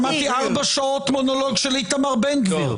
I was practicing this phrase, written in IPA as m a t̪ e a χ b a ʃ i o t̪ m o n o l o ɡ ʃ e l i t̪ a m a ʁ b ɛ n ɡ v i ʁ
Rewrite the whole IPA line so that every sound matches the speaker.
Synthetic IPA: m a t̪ i a ʁ b a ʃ a o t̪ m o n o l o ɡ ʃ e l i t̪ a m a ʁ b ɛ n ɡ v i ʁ